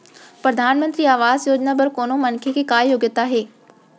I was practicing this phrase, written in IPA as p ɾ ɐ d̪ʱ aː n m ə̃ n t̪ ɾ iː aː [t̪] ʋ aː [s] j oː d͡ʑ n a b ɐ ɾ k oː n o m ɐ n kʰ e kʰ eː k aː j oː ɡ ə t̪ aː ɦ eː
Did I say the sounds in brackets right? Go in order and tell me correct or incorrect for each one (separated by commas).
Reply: incorrect, incorrect